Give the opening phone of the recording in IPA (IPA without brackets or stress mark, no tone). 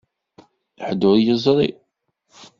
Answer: ħ